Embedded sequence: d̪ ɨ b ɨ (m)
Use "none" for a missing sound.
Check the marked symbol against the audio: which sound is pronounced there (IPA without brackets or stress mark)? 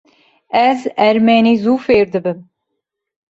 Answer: m